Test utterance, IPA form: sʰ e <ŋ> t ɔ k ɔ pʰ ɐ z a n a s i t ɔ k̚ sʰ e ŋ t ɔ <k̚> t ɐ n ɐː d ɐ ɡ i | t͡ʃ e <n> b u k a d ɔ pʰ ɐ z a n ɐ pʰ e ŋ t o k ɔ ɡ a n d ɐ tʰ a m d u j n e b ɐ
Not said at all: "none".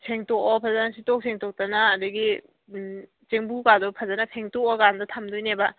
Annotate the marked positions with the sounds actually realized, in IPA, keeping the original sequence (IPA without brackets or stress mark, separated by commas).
ŋ, k̚, ŋ